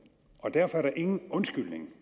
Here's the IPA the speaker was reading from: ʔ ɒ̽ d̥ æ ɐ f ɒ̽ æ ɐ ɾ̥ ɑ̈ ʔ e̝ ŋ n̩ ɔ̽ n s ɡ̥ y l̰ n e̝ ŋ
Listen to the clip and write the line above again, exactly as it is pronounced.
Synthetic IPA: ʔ ɒ̽ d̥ æ ɐ f ɒ̽ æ ɐ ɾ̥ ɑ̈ ʔ e̝ ŋ n̩ ɔ̽ n s ɡ̥ y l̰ n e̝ ŋ